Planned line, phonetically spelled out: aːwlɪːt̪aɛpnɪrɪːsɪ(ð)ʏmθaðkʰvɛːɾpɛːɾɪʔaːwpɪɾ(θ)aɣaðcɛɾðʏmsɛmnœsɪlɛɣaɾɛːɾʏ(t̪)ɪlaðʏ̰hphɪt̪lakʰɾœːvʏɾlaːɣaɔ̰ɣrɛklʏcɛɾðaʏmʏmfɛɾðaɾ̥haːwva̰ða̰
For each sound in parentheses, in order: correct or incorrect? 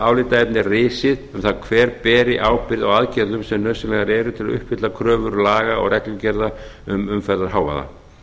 correct, incorrect: ð, incorrect: t̪ʰ

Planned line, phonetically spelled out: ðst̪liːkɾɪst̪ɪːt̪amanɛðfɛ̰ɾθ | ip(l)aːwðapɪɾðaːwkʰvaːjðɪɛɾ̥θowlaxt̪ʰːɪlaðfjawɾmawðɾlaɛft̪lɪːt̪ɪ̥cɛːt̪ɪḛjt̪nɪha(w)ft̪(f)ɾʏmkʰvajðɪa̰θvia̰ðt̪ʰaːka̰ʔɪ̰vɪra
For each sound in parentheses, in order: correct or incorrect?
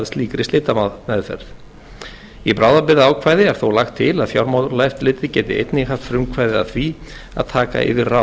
incorrect: ɾ, incorrect: none, correct

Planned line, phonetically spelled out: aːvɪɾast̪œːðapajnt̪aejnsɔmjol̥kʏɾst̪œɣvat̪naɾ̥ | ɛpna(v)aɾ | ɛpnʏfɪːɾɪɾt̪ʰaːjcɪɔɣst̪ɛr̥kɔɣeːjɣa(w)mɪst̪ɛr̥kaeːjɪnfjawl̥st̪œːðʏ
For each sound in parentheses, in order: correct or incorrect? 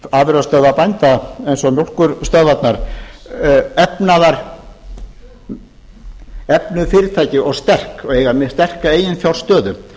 incorrect: ð, incorrect: none

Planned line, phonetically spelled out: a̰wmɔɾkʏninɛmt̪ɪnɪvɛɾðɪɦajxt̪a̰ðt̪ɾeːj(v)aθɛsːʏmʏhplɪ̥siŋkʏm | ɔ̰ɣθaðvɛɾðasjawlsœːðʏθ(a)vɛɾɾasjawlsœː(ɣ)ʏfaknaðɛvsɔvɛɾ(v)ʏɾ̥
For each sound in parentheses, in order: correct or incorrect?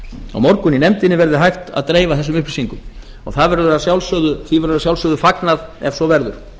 correct, incorrect: i, incorrect: ð, incorrect: ð

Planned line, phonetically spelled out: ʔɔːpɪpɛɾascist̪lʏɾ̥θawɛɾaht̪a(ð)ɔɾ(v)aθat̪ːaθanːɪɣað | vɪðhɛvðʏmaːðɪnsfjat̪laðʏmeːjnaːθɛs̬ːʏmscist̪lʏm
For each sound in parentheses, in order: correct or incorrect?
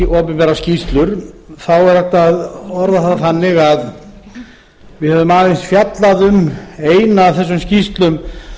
correct, incorrect: ð

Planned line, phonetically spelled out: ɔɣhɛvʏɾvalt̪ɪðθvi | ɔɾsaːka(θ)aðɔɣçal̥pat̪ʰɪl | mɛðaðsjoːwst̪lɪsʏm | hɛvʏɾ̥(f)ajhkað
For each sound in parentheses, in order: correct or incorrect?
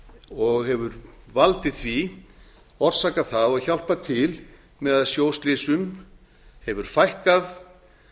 correct, correct

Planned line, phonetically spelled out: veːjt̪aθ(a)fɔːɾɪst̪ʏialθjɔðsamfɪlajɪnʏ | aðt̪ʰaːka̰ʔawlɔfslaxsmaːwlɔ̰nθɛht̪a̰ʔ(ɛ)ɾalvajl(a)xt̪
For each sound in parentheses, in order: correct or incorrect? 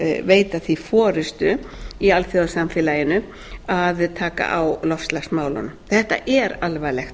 incorrect: i, correct, incorrect: ɛ

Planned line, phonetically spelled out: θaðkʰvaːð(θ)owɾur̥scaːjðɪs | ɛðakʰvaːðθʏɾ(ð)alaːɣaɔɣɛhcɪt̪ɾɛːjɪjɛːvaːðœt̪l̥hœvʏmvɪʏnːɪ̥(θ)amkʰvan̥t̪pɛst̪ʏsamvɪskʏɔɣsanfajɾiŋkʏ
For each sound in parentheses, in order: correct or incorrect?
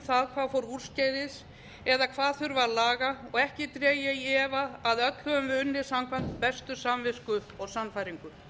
incorrect: f, incorrect: v, incorrect: s

